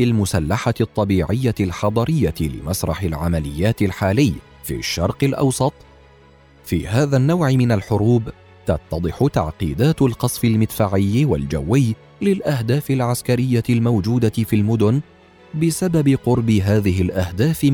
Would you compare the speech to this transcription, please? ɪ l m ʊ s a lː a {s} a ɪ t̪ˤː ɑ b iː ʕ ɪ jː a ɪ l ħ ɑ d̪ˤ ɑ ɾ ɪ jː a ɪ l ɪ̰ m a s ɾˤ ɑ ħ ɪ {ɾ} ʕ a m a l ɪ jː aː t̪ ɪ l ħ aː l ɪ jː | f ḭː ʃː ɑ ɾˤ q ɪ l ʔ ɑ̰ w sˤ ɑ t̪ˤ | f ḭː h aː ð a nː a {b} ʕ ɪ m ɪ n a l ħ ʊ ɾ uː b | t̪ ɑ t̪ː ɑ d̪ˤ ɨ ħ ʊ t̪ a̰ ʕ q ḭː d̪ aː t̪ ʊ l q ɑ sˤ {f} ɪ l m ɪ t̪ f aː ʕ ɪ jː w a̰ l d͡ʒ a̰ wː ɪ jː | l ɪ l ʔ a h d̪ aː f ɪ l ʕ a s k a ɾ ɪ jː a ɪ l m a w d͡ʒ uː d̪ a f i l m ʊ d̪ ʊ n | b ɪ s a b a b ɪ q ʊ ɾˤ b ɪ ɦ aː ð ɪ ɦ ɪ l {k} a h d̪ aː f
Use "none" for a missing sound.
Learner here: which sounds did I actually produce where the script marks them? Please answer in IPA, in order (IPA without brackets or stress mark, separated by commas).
ħ, l, w, f, ʔ